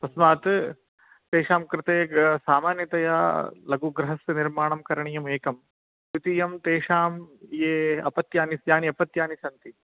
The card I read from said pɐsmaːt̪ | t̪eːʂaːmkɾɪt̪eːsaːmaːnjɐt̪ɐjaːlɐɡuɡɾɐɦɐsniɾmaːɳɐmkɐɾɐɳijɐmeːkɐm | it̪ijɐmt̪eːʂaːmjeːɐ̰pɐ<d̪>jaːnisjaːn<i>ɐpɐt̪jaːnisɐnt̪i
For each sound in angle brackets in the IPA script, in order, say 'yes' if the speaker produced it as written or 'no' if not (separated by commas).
no, yes